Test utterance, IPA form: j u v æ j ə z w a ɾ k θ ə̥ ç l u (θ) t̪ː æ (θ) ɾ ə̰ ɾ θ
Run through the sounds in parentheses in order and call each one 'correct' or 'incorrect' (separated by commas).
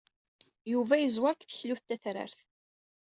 correct, correct